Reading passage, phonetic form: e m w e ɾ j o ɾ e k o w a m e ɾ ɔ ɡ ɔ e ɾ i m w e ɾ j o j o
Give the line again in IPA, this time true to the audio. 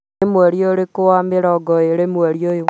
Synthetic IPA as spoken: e m w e ɾ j o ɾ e k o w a m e ɾ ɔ ɡ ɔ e ɾ e m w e ɾ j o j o